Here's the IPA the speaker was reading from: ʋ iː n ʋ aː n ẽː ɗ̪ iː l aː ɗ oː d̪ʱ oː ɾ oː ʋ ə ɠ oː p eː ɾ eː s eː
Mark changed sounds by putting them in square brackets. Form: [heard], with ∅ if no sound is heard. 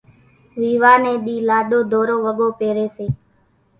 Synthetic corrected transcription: ʋ iː [∅] ʋ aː n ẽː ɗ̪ iː l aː ɗ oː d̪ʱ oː ɾ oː ʋ ə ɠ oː p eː ɾ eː s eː